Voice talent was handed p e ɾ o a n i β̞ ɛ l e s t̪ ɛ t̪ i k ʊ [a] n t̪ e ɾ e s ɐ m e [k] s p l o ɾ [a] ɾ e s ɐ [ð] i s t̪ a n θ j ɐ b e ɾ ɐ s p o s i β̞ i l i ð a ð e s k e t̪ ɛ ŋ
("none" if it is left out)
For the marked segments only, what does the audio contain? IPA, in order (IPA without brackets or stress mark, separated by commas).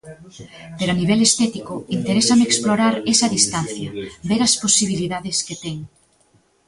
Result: i, k, a, ð